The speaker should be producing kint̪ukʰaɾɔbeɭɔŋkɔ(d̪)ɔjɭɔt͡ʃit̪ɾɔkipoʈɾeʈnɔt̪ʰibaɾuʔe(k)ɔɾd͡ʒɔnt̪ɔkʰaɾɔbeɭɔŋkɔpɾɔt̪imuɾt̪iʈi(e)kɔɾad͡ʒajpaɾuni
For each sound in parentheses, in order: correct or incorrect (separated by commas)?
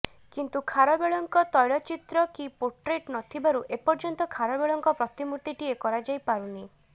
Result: incorrect, incorrect, correct